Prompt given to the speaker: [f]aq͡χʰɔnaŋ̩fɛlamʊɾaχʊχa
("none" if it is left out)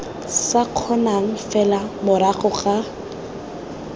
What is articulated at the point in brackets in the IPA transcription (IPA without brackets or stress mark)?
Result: s